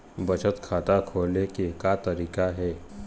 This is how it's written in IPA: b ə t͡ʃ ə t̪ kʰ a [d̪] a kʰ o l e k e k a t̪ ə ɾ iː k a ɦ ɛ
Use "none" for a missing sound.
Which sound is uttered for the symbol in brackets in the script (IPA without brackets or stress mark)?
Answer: t̪